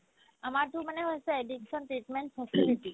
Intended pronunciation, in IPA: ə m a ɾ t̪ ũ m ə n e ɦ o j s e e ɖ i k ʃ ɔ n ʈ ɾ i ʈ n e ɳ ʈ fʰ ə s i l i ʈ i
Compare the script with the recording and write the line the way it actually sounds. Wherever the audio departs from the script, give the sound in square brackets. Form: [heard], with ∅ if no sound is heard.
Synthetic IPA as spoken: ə m a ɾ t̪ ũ m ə n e ɦ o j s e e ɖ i k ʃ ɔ n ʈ ɾ i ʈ [m] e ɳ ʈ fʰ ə s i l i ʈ i

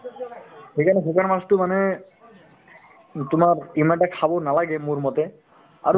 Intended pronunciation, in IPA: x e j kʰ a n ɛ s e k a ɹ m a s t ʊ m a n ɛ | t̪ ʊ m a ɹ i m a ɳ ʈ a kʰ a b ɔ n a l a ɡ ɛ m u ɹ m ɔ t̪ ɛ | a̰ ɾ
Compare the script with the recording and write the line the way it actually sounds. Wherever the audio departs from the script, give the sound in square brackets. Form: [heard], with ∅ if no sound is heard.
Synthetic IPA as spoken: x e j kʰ a n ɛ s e k a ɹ m a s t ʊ m a n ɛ | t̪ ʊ m a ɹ i m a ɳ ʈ a kʰ a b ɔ n a l a ɡ ɛ m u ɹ m ɔ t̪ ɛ | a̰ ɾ

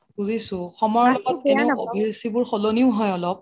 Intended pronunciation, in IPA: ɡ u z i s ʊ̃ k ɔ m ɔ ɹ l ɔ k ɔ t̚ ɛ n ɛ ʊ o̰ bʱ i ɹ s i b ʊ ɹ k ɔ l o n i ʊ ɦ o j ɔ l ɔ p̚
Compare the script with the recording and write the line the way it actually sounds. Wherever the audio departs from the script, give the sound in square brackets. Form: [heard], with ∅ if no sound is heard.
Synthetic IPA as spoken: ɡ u z i s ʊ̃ [x] ɔ m ɔ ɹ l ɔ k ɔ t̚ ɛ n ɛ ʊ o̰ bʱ i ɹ s i b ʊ ɹ [x] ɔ l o n i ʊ ɦ [ɔ] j ɔ l ɔ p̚

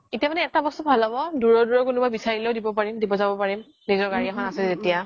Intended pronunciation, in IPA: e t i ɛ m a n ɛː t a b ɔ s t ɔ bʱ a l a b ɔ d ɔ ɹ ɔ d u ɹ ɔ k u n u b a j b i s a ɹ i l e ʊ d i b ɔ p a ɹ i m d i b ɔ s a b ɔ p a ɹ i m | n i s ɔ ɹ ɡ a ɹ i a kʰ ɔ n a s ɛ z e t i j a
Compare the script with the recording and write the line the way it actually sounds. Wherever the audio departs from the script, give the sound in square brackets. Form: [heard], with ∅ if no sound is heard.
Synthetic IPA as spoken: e t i [a] m a n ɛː t a b ɔ s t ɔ bʱ a l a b ɔ d [u] ɹ ɔ d u ɹ ɔ k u n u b a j b i s a ɹ i l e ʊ d i b ɔ p a ɹ i m d i b ɔ [z] a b ɔ p a ɹ i m | n i [z] ɔ ɹ ɡ a ɹ i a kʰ ɔ n a s ɛ z e t i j a

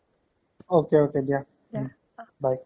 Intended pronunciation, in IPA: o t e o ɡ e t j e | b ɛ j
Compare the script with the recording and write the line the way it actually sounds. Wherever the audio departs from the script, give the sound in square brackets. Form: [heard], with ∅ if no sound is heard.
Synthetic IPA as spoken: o [k] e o [k] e [d] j [a] | b [a] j

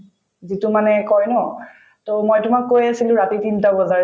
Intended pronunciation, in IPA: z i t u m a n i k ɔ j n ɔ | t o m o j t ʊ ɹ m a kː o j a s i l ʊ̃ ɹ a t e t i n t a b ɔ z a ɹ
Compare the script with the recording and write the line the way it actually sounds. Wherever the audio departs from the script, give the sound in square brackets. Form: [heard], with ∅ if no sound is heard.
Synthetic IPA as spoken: z i t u m a n [ɛ] k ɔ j n ɔ | t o m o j t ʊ [∅] m a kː o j a s i l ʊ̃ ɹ a t [i] t i n t a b ɔ z a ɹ

